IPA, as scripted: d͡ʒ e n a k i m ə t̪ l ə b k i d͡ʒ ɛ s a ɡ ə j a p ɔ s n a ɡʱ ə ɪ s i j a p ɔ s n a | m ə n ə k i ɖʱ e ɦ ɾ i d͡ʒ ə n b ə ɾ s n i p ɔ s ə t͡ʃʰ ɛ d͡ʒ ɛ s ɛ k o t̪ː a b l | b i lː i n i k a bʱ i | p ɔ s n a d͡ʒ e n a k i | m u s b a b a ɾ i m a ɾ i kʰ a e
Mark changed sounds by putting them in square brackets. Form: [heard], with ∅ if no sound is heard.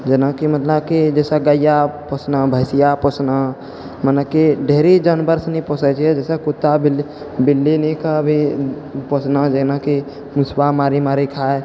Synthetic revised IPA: d͡ʒ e n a k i m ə t̪ l ə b k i d͡ʒ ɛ s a ɡ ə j a p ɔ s n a [bʱ] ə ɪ s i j a p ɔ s n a | m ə n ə k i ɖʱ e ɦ ɾ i d͡ʒ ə n b ə ɾ s n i p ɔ s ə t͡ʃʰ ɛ d͡ʒ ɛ s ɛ k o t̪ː a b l | b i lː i n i k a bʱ i | p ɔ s n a d͡ʒ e n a k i | m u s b a [m] a ɾ i m a ɾ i kʰ a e